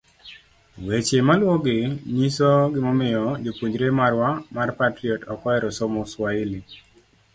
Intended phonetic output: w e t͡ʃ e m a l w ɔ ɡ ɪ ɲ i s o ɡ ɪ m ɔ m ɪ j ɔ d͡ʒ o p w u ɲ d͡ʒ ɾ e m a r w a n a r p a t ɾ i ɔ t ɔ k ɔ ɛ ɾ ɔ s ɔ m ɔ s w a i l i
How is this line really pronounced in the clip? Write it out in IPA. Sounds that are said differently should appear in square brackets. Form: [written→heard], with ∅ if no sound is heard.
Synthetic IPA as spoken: w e t͡ʃ e m a l w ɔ ɡ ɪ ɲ i s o ɡ ɪ m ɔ m ɪ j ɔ d͡ʒ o p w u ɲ d͡ʒ ɾ e m a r w a [n→m] a r p a t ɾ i ɔ t ɔ k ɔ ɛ ɾ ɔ s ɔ m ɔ s w a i l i